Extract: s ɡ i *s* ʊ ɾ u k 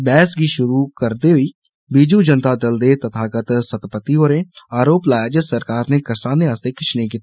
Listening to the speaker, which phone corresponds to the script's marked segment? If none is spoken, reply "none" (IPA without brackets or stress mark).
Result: ʃ